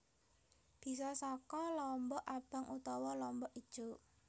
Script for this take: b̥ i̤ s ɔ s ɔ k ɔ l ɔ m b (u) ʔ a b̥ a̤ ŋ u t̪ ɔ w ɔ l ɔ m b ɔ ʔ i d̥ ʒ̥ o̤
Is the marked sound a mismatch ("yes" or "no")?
yes